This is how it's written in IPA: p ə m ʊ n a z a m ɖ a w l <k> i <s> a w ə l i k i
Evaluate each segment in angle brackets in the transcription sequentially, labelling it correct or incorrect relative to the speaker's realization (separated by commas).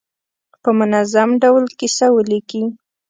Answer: correct, correct